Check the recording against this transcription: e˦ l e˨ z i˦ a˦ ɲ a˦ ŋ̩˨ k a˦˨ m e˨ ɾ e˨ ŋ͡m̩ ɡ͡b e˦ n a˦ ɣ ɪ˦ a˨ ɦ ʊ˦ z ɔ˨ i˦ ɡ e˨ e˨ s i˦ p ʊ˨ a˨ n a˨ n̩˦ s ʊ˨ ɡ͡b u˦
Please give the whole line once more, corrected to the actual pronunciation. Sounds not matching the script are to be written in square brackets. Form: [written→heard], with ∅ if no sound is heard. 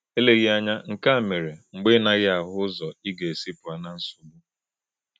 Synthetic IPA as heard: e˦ l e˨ [z→ɣ] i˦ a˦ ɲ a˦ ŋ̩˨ k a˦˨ m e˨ ɾ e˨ ŋ͡m̩ ɡ͡b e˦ n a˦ ɣ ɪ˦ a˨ ɦ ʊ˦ z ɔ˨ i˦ ɡ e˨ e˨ s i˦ p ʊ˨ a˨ n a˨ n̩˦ s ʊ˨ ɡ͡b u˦